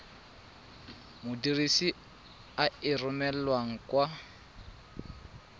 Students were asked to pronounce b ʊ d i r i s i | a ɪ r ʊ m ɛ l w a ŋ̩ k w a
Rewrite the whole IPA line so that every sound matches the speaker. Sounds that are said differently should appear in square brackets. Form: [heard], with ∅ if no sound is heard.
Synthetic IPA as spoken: [m] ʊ d i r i s i | a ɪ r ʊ m ɛ l w a ŋ̩ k w a